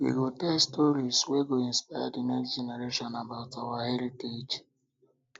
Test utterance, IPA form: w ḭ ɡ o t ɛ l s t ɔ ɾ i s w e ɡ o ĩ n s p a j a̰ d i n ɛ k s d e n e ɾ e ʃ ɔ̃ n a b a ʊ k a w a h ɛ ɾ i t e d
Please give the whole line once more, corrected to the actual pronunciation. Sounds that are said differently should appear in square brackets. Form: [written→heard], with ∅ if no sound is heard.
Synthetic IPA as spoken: w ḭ ɡ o t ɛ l s t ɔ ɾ i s w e ɡ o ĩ n s p a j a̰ d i n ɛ k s [d→d͡ʒ] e n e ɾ e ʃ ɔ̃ n a b a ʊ [k→t] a w a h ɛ ɾ i t e [d→d͡ʒ]